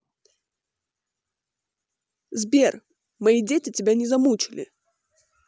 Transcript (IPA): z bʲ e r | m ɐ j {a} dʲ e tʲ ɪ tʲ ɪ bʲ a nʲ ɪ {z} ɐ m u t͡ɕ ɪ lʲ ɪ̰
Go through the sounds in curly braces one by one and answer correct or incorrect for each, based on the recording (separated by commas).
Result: incorrect, correct